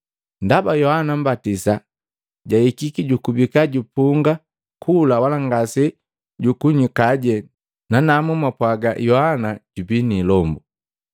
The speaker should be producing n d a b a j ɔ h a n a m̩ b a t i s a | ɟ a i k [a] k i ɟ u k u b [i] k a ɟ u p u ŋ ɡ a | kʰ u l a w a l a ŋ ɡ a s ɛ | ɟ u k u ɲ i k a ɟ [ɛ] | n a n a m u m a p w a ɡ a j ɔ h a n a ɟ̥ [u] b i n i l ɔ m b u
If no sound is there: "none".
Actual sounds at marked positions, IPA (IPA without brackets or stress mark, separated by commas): i, i, ɛ, u